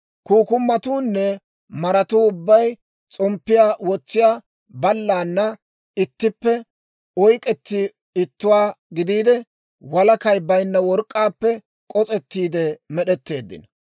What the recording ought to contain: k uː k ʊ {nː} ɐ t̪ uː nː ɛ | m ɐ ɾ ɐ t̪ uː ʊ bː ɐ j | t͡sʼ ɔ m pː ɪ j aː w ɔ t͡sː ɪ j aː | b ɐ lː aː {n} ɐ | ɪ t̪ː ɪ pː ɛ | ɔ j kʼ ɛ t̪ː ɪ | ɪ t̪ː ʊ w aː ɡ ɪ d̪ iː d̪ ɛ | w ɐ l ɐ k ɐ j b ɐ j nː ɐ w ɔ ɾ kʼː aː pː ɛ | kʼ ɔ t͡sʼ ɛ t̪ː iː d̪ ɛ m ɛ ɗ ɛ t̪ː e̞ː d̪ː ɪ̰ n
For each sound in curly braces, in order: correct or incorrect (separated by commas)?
incorrect, incorrect